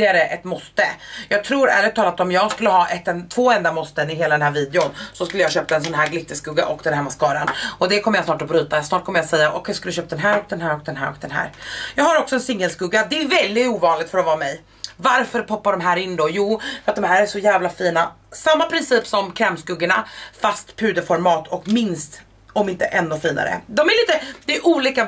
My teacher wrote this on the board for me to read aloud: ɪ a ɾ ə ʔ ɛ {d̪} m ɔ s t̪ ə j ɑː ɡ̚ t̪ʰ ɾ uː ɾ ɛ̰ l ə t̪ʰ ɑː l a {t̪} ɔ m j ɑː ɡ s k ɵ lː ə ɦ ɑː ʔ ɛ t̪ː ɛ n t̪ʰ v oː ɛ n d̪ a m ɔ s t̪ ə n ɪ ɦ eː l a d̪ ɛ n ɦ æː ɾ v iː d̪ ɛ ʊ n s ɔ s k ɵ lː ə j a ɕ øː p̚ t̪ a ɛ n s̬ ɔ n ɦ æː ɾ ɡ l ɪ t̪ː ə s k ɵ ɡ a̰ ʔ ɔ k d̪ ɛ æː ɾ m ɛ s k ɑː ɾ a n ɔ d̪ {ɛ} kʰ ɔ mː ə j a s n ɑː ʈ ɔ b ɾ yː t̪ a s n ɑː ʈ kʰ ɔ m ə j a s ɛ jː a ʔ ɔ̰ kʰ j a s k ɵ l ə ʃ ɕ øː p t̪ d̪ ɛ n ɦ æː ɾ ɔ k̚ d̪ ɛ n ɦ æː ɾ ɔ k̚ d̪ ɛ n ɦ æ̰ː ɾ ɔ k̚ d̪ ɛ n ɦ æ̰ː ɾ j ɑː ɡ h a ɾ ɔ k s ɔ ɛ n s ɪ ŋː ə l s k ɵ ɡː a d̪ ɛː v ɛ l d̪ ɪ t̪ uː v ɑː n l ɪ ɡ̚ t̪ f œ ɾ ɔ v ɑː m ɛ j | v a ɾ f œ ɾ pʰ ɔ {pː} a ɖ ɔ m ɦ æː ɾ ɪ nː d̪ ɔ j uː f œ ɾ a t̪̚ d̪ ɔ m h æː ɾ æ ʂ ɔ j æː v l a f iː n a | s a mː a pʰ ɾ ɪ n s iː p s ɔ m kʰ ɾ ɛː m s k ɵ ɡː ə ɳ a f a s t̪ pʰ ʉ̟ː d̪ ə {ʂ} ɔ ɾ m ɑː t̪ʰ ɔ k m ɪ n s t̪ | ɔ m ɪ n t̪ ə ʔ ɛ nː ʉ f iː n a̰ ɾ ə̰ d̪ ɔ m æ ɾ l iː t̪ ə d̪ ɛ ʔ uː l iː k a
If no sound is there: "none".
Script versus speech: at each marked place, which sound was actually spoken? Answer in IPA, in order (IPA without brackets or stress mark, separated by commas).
t̪, t̪, ɛ, pː, f